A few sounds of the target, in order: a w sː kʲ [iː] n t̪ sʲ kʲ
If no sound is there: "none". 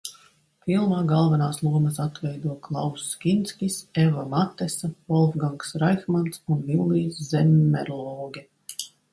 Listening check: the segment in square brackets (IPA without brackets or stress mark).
i